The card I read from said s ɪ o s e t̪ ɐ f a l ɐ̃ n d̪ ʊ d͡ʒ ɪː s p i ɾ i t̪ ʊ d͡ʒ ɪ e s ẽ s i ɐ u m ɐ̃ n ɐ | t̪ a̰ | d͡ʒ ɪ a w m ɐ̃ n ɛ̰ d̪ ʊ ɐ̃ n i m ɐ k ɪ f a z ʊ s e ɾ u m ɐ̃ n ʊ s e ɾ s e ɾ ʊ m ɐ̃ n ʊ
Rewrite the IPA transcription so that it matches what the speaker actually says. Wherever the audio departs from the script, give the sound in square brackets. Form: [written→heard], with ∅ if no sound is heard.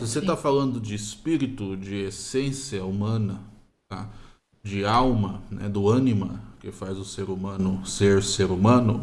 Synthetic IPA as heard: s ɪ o s e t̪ [ɐ→a] f a l ɐ̃ n d̪ ʊ d͡ʒ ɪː s p i ɾ i t̪ ʊ d͡ʒ ɪ e s ẽ s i ɐ u m ɐ̃ n ɐ | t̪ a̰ | d͡ʒ ɪ a w m [ɐ̃→ɐ] n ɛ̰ d̪ ʊ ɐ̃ n i m ɐ k ɪ f a z ʊ s e ɾ u m ɐ̃ n ʊ s e ɾ s e ɾ [ʊ→u] m ɐ̃ n ʊ